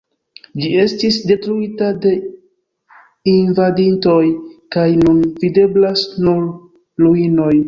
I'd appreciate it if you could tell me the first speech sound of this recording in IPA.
d͡ʒ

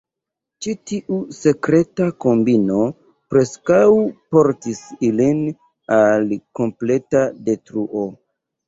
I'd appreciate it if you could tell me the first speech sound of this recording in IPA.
t͡ʃ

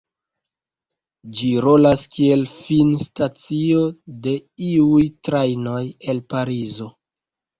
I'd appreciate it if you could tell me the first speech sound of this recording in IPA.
d͡ʒ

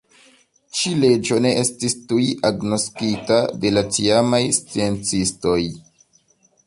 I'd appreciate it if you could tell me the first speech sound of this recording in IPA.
t͡ʃ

